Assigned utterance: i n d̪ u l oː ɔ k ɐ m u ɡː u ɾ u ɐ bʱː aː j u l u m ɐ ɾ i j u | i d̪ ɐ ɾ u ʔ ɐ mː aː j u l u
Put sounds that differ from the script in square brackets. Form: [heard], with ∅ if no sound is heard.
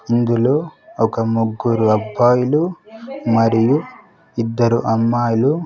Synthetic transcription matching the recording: i n d̪ u l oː ɔ k ɐ m u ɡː u ɾ u ɐ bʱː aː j u l u m ɐ ɾ i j u | i [d̪ː] ɐ ɾ u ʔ ɐ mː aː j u l u